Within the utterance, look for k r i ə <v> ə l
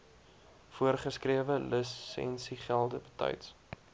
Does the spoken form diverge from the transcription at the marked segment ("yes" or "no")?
no